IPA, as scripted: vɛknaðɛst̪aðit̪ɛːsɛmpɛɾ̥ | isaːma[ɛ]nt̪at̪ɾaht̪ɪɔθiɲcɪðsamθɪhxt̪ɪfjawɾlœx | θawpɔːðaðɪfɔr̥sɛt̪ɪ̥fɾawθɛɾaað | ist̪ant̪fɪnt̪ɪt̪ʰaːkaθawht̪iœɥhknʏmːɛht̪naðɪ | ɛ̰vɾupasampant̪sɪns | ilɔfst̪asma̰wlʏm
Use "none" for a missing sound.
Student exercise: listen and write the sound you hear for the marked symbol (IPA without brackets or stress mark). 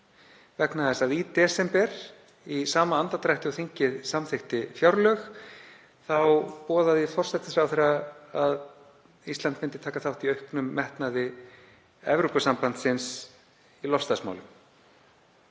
a